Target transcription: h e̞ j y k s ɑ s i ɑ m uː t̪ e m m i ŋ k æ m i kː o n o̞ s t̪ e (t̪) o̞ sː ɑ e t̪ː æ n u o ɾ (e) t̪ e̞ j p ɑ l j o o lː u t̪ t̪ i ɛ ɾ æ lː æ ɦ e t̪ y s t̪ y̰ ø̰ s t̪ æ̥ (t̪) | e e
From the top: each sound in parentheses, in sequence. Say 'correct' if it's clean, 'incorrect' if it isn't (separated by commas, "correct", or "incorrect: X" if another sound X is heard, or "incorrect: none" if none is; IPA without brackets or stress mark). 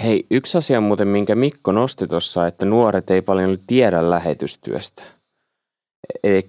correct, correct, incorrect: none